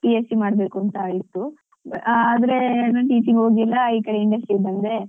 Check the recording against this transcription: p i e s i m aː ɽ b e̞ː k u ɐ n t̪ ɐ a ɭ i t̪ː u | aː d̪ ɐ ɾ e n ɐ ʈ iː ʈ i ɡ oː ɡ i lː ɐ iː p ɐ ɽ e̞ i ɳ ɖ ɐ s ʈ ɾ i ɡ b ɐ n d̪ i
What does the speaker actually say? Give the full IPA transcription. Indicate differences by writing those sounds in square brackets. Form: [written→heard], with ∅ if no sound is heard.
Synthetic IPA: p i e s i m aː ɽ b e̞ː k u ɐ n t̪ ɐ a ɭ i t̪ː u | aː d̪ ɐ ɾ e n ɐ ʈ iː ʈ i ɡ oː ɡ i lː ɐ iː [p→k] ɐ ɽ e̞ i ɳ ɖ ɐ s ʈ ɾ i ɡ b ɐ n d̪ [i→e]

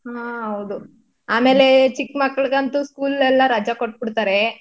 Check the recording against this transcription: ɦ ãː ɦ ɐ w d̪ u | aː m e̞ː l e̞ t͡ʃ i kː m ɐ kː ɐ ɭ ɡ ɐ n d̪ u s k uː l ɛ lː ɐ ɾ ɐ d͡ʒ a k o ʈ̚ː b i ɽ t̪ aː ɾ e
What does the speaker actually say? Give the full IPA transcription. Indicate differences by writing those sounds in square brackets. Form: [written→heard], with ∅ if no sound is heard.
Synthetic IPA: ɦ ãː ɦ ɐ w d̪ u | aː m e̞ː l e̞ t͡ʃ i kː m ɐ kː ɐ ɭ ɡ ɐ n [d̪→t̪] u s k uː l ɛ lː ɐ ɾ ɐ d͡ʒ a k o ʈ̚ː b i ɽ t̪ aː ɾ e

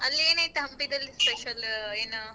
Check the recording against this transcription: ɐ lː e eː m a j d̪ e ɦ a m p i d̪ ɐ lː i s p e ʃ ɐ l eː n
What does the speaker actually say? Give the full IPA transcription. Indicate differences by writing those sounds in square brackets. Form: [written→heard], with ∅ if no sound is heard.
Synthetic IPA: ɐ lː [e→i] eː [m→n] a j [d̪→t̪] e ɦ [a→ɐ] m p i d̪ ɐ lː i s p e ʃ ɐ l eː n

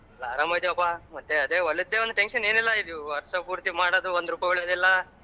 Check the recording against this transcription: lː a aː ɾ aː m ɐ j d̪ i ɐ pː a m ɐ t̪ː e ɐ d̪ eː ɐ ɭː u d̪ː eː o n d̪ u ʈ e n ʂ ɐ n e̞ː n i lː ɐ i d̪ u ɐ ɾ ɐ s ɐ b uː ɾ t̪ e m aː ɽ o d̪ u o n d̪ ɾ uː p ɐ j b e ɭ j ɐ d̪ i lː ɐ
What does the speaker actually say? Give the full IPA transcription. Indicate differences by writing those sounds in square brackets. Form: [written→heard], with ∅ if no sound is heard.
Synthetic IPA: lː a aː ɾ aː m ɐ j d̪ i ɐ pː a m ɐ t̪ː e ɐ d̪ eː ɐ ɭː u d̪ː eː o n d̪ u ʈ e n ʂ ɐ n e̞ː n i lː ɐ i d̪ u ɐ ɾ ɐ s ɐ [b→p] uː ɾ t̪ [e→i] m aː ɽ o d̪ u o n d̪ ɾ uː p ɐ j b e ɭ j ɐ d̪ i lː ɐ

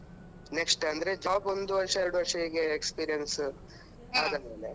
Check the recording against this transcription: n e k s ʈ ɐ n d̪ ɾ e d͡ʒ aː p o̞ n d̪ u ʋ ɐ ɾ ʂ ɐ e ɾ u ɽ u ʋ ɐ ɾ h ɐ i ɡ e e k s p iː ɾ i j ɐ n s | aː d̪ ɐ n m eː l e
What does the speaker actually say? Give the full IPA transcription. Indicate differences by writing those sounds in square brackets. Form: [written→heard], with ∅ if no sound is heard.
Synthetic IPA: n e k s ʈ ɐ n d̪ ɾ e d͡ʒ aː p o̞ n d̪ u ʋ ɐ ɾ ʂ ɐ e ɾ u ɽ u ʋ ɐ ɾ [h→ʂ] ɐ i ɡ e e k s p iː ɾ i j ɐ n s | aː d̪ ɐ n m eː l e

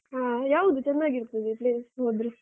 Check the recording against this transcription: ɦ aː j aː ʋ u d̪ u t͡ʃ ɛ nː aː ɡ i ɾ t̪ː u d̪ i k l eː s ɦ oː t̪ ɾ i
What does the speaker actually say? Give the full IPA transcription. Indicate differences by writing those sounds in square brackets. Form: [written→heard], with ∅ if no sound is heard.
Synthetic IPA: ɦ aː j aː ʋ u d̪ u t͡ʃ ɛ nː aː ɡ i ɾ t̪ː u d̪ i [k→p] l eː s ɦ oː [t̪→d̪] ɾ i

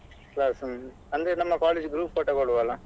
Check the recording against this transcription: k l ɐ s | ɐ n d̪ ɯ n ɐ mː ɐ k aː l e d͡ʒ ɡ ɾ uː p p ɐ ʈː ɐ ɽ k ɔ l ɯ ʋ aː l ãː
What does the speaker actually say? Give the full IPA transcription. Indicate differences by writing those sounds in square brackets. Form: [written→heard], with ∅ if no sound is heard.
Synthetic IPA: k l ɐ s | ɐ n d̪ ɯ n ɐ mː ɐ k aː l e d͡ʒ ɡ ɾ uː p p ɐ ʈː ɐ [ɽ→∅] k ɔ [l→ɽ] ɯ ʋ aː l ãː

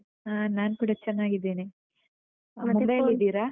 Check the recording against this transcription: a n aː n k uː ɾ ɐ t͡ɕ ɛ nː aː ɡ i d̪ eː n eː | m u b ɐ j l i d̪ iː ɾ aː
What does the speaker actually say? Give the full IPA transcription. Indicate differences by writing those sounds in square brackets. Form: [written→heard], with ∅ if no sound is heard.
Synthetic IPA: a n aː n k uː [ɾ→ɽ] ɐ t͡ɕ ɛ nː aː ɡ i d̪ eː n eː | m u b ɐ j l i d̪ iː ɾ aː

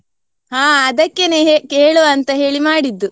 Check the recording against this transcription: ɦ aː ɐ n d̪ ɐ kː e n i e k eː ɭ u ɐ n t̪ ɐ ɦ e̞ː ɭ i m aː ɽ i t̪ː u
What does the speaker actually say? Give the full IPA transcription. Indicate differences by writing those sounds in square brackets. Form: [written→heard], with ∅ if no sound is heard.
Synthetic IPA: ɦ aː ɐ [n→∅] d̪ ɐ kː e n [i→e] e k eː ɭ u ɐ n t̪ ɐ ɦ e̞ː ɭ i m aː ɽ i [t̪ː→d̪ː] u

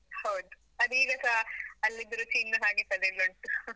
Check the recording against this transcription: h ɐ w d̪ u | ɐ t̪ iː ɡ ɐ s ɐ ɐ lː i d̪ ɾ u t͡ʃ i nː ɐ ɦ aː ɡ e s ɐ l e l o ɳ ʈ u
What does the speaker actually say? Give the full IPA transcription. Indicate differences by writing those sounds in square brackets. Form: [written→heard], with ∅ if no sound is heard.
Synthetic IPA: h ɐ w d̪ u | ɐ [t̪→d̪] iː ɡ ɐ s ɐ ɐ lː i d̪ ɾ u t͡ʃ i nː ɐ ɦ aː ɡ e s ɐ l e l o ɳ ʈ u

